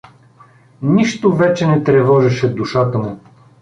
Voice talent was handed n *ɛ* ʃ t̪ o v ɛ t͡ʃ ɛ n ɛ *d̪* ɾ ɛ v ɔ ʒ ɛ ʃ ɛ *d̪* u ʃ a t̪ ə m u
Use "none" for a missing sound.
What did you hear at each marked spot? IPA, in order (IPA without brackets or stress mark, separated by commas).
i, t̪, d̪